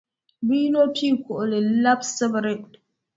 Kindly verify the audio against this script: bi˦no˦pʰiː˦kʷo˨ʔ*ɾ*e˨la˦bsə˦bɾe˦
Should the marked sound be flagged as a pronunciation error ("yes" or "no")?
yes